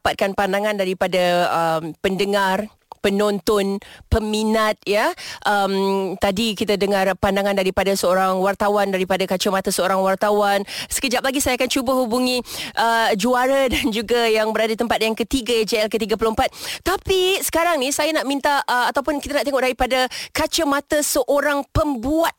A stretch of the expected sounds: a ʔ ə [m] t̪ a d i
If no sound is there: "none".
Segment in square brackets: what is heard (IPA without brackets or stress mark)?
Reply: m